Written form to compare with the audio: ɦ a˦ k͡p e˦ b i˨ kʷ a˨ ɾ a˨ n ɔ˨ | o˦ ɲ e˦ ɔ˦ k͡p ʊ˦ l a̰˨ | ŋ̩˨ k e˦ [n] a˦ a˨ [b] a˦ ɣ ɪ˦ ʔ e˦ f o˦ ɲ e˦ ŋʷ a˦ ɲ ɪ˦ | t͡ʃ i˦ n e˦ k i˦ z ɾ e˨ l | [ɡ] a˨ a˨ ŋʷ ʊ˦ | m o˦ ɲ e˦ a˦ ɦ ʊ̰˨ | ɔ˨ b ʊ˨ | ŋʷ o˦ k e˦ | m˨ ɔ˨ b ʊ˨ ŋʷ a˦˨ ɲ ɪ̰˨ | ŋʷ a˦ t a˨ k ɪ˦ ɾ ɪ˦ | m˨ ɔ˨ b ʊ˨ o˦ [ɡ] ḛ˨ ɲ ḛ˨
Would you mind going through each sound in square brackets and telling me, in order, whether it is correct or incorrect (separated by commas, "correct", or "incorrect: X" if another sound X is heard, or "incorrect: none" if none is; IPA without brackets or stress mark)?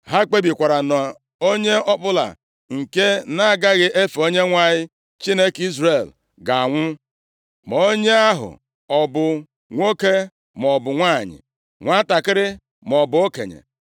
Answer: correct, incorrect: ɡ, correct, incorrect: k